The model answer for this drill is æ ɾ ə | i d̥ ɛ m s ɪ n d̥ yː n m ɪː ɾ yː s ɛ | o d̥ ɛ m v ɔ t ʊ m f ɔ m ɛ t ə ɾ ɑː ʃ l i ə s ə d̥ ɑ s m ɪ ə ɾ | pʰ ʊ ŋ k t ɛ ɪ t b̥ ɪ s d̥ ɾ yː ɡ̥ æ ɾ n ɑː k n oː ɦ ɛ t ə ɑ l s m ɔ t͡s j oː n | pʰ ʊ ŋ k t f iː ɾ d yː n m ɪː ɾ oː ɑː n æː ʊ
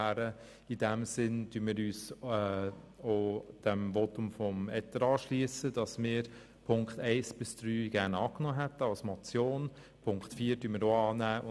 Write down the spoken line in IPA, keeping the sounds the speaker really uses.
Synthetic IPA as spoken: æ ɾ ə | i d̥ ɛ m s ɪ n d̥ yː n m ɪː ɾ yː s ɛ | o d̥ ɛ m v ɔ t ʊ m f ɔ m ɛ t ə ɾ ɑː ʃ l i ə s ə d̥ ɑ s m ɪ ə ɾ | pʰ ʊ ŋ k t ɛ ɪ s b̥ ɪ s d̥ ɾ yː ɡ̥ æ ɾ n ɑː k n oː ɦ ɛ t ə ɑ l s m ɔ t͡s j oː n | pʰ ʊ ŋ k t f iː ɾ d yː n m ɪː ɾ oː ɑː n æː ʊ